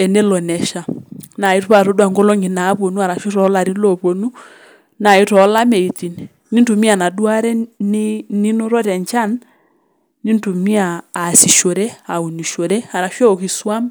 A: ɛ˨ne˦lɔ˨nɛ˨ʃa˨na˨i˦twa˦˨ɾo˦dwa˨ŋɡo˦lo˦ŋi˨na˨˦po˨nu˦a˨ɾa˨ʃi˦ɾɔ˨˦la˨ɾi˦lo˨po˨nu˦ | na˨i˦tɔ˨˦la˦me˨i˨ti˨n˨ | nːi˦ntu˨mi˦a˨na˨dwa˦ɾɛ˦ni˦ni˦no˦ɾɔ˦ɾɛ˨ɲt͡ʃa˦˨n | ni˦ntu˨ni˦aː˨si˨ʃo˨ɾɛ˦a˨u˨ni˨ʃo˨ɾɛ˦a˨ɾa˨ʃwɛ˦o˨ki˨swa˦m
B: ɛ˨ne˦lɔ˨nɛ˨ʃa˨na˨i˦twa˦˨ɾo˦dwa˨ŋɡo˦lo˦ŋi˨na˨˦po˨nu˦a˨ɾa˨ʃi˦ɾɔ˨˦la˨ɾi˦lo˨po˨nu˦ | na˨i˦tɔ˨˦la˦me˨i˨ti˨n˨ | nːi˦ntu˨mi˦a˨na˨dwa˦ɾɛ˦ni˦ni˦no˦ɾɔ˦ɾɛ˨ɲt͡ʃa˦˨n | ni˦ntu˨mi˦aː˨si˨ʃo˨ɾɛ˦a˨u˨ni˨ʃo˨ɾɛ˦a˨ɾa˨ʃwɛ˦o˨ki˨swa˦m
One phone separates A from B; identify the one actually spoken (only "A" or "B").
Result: B